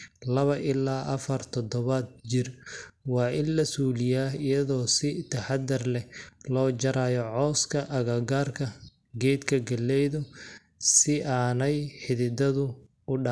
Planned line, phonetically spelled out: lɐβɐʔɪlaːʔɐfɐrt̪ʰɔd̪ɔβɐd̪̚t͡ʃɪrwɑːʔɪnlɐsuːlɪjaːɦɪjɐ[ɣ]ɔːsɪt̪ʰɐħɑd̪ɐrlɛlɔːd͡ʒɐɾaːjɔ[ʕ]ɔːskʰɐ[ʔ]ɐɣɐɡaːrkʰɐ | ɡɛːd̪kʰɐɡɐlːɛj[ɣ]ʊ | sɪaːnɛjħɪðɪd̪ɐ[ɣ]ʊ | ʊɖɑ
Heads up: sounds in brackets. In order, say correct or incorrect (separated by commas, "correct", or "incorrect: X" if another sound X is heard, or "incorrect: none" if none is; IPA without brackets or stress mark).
incorrect: ð, correct, correct, incorrect: ð, incorrect: ð